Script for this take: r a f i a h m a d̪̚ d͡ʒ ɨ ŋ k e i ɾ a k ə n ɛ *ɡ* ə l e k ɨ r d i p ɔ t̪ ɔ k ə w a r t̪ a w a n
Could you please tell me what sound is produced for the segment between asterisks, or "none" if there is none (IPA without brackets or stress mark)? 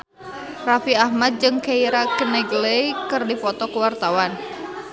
ɡ